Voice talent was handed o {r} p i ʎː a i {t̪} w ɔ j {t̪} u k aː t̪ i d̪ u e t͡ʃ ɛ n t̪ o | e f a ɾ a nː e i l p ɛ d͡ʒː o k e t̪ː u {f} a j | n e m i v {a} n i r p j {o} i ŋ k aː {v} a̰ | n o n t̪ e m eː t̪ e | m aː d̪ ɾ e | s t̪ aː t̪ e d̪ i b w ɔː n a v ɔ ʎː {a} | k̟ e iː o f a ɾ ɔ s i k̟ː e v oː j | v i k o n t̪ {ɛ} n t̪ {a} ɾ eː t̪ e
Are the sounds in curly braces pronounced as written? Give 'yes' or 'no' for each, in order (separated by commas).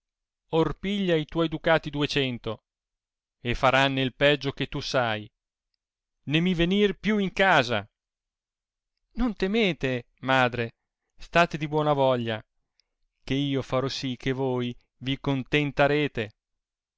yes, yes, no, no, no, no, no, yes, no, yes